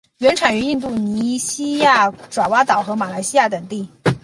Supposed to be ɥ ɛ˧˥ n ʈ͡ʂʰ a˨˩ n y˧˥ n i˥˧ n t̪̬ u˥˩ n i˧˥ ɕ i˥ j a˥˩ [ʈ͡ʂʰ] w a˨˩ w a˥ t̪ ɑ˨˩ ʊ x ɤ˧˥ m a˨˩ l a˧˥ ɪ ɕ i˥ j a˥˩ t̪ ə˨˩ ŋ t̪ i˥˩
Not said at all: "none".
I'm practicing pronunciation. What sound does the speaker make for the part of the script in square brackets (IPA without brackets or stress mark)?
ʈ͡ʂ